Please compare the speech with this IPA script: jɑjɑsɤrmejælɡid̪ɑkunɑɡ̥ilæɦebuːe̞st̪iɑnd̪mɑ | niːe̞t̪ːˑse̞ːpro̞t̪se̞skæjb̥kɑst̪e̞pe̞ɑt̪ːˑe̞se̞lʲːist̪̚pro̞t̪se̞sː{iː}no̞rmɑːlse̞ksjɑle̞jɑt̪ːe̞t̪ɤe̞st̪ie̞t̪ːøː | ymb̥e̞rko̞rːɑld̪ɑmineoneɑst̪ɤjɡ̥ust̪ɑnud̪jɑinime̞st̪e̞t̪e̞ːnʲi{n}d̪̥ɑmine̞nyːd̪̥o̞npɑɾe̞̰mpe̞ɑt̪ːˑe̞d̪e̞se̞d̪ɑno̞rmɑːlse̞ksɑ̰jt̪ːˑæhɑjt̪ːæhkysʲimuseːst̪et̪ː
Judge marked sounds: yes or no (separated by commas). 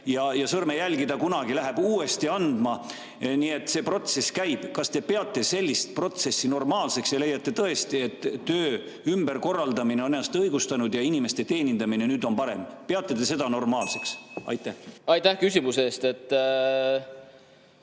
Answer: no, yes